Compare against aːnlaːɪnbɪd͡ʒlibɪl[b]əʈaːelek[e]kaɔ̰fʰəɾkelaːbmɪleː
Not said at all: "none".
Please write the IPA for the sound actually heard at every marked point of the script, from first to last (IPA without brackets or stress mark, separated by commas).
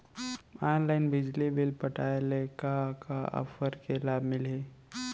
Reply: p, a